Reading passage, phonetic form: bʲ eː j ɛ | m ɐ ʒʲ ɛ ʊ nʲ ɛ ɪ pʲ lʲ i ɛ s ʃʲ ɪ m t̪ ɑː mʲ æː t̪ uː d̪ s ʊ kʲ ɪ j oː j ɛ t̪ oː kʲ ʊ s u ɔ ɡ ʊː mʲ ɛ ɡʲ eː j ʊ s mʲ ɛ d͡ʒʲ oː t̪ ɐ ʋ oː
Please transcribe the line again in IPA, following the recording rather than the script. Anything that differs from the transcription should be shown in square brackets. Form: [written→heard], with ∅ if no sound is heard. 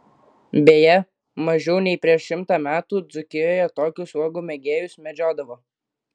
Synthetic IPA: bʲ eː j ɛ | m ɐ ʒʲ ɛ ʊ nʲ ɛ ɪ pʲ [lʲ→ɾʲ] i ɛ [s→ʃ] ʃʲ ɪ m t̪ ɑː mʲ æː t̪ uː d̪ [s→z] ʊ kʲ ɪ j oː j ɛ t̪ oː kʲ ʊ s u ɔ ɡ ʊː mʲ ɛ ɡʲ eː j ʊ s mʲ ɛ d͡ʒʲ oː [t̪→d̪] ɐ ʋ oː